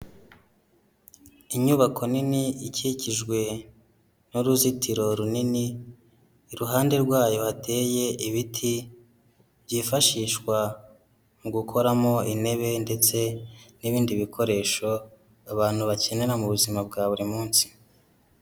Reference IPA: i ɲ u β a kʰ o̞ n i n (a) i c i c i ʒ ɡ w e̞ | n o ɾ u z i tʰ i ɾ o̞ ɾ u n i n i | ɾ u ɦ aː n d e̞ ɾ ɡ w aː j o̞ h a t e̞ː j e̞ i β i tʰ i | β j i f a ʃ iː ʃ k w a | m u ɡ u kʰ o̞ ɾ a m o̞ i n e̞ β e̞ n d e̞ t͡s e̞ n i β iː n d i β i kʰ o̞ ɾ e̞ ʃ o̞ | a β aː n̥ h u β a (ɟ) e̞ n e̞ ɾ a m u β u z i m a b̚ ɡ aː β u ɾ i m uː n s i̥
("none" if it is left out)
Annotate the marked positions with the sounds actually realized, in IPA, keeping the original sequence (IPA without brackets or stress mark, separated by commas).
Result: i, c